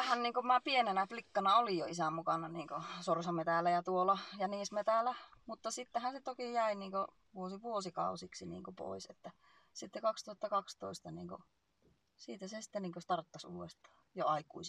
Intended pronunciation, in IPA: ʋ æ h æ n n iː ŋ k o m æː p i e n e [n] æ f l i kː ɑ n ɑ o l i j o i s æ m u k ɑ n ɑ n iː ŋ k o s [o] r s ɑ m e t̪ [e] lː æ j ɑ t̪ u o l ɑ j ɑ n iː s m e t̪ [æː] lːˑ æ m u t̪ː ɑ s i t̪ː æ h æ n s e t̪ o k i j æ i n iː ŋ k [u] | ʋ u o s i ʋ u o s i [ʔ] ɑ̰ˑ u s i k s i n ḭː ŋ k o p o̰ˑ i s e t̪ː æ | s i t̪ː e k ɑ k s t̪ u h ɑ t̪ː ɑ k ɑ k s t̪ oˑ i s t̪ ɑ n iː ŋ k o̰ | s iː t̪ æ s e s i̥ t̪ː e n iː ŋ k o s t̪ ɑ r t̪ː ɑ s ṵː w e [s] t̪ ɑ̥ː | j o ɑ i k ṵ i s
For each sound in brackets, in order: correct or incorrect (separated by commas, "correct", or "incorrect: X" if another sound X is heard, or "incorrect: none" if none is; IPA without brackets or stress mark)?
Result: correct, correct, incorrect: æ, incorrect: æ, incorrect: o, incorrect: k, correct